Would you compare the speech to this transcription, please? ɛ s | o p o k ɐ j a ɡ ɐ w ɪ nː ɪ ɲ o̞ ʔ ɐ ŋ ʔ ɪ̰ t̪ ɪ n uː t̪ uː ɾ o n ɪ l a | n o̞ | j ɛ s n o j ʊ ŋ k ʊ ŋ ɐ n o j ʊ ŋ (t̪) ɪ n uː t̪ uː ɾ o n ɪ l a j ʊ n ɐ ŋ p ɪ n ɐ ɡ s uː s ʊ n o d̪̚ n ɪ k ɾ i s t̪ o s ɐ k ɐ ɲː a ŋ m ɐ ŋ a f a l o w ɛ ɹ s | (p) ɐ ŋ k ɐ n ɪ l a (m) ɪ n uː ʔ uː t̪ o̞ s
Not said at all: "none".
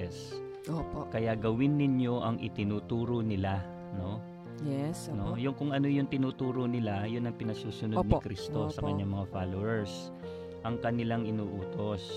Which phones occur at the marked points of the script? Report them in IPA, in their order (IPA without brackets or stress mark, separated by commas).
t̪, ʔ, ŋ